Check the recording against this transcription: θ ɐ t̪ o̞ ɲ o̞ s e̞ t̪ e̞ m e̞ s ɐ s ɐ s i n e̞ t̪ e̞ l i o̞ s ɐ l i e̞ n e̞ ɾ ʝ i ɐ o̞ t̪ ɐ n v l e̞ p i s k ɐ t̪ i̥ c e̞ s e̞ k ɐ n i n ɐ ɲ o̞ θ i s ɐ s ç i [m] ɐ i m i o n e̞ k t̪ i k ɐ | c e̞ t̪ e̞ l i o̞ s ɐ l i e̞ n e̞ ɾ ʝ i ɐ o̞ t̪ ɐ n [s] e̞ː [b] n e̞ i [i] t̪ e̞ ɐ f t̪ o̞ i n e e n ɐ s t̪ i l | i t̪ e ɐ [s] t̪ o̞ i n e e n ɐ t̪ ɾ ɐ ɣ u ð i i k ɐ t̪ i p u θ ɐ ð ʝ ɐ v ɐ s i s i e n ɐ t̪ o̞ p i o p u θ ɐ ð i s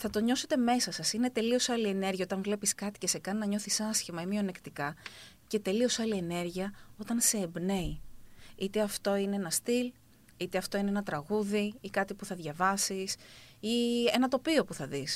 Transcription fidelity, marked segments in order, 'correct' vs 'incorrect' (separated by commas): correct, correct, correct, correct, incorrect